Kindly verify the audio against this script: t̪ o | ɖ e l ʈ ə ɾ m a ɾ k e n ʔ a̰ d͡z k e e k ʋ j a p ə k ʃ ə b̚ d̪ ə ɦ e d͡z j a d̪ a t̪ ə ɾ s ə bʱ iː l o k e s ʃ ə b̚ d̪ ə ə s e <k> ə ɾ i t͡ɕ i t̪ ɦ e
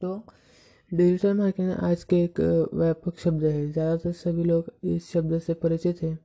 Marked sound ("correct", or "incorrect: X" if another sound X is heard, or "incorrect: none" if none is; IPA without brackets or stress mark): incorrect: p